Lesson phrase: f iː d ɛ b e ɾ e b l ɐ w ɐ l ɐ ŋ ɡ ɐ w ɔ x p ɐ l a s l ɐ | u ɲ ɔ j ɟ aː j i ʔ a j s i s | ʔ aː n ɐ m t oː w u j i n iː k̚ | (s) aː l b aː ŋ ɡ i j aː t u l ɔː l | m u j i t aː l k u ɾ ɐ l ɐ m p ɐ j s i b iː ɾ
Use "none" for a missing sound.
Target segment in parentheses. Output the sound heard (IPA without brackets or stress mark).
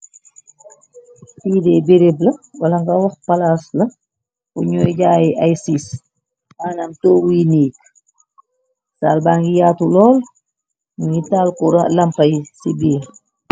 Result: s